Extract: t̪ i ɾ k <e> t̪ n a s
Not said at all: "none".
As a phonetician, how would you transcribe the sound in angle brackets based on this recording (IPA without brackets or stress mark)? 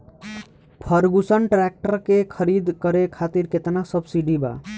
e